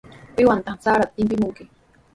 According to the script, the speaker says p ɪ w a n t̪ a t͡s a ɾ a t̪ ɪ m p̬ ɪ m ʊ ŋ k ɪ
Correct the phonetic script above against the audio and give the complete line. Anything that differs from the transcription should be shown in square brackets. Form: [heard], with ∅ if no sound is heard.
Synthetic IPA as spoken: p ɪ w a n t̪ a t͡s a ɾ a t̪ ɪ m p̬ ɪ m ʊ ŋ k ɪ